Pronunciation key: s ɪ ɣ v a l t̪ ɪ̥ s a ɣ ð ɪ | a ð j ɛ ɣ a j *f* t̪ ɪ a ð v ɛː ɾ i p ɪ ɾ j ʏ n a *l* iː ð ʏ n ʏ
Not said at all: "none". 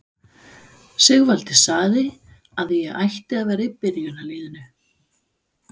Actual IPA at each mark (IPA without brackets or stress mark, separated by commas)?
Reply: h, l